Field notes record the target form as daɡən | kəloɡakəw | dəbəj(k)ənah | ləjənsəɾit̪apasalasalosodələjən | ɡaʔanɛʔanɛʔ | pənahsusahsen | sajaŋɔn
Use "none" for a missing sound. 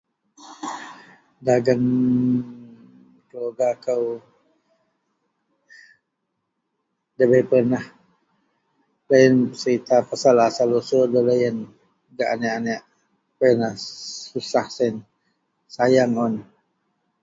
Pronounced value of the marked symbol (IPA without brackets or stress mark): p